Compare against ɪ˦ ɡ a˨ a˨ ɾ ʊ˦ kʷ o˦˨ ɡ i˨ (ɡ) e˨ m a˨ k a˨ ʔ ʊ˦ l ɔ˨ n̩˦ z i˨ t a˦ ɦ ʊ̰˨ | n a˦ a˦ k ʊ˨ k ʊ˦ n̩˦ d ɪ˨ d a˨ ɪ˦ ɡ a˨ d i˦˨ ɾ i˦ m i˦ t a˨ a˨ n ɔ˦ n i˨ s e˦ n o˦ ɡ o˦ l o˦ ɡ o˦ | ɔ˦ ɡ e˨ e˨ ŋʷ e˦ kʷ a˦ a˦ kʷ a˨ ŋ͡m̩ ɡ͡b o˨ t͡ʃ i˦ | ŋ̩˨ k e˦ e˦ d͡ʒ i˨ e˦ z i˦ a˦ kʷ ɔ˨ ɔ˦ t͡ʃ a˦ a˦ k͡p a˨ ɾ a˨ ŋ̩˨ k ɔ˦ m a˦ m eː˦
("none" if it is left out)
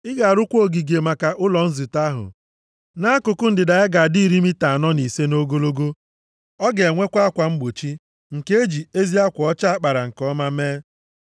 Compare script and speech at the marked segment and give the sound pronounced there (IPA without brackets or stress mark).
ɡ